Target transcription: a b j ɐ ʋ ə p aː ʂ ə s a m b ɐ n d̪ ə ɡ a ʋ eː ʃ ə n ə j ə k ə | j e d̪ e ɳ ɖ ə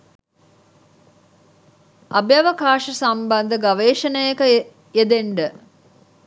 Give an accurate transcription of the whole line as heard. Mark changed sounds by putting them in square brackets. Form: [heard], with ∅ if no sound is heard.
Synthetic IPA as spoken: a b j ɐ ʋ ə [k] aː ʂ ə s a m b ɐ n d̪ ə ɡ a ʋ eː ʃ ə n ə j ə k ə | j e d̪ e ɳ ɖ ə